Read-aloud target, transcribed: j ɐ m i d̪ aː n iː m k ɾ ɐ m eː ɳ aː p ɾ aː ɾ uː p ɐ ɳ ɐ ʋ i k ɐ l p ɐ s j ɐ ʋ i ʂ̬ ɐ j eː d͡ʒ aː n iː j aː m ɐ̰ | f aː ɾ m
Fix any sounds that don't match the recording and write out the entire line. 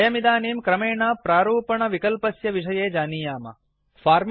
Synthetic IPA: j ɐ m i d̪ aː n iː m k ɾ ɐ m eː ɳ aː p ɾ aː ɾ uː p ɐ ɳ ɐ ʋ i k ɐ l p ɐ s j ɐ ʋ i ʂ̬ ɐ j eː d͡ʒ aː n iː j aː m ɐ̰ | f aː ɾ m